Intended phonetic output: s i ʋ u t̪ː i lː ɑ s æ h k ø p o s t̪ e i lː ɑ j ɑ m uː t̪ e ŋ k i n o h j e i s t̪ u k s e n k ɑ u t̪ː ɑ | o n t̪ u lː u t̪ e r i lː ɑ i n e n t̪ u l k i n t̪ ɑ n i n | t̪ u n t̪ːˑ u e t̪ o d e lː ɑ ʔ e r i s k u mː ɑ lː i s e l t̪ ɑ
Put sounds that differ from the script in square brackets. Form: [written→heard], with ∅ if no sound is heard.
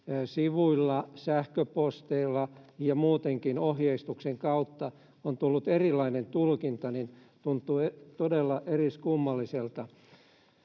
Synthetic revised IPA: s i ʋ u [t̪ː→∅] i lː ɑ s æ h k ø p o s t̪ e i lː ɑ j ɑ m uː t̪ e ŋ k i n o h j e i s t̪ u k s e [n→ŋ] k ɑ u t̪ː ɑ | o n t̪ u lː u t̪ e r i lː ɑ i n e n t̪ u l k i n t̪ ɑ n i n | t̪ u n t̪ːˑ u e t̪ o d e lː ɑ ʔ e r i s k u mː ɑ lː i s e l t̪ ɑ